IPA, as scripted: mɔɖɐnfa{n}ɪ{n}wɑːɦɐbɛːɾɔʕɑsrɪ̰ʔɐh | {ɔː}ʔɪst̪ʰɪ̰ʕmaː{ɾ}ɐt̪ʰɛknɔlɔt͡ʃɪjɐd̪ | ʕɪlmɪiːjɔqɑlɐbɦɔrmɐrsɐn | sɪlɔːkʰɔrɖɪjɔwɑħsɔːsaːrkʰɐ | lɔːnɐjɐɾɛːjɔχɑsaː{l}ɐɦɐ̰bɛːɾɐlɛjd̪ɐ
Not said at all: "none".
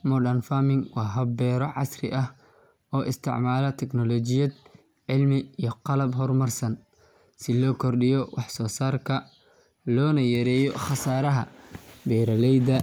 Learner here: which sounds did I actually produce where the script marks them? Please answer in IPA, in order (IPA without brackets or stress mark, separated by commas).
m, ŋ, ɔː, l, ɾ